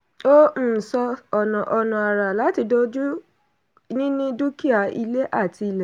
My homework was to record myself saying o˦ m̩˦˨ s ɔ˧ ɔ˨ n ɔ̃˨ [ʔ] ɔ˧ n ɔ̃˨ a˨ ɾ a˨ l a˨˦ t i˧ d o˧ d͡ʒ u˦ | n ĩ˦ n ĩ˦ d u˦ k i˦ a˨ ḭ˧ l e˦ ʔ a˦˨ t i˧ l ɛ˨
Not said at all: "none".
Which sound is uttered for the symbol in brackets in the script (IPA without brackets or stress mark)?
ʔ